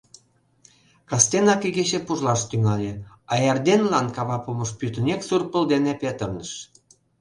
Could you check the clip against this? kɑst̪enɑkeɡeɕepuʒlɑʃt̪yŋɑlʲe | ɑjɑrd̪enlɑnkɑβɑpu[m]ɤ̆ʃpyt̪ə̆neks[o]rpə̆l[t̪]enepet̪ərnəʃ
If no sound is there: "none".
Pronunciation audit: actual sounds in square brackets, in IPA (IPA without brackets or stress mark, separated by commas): m, u, d̪